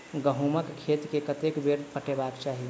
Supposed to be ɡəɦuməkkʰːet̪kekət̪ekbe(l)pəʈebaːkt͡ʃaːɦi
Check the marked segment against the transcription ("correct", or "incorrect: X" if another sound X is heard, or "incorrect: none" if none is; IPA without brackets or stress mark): incorrect: ɾ